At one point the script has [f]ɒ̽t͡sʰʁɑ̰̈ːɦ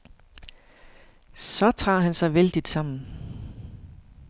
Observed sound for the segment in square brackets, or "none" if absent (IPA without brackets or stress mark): s